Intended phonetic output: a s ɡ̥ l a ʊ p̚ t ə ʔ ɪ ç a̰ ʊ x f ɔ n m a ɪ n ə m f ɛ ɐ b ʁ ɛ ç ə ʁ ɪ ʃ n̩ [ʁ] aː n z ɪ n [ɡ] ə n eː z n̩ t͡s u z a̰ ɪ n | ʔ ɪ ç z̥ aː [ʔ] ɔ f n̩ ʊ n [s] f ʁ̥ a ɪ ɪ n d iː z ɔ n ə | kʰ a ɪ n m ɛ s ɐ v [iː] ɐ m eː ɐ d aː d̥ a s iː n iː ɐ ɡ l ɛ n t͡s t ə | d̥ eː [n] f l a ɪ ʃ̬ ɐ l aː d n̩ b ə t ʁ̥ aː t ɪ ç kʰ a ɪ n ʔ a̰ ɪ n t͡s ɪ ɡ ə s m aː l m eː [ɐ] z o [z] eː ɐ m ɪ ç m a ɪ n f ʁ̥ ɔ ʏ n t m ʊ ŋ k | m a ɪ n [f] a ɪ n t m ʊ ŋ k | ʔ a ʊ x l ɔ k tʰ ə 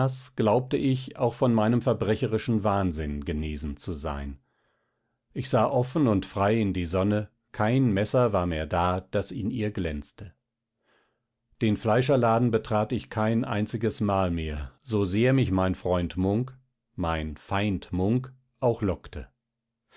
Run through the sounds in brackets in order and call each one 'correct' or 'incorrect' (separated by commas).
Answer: incorrect, correct, correct, incorrect, incorrect, correct, correct, correct, correct